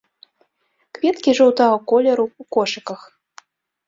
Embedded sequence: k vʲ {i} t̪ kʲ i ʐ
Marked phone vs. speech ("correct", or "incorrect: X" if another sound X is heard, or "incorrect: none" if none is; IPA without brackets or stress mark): incorrect: ɛ